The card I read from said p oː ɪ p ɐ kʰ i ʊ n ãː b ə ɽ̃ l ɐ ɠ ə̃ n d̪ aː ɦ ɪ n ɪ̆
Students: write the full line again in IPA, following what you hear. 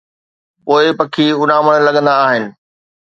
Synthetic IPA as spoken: p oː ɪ p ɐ kʰ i ʊ n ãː m ə ɽ̃ l ɐ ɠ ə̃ n d̪ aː ɦ ɪ n ɪ̆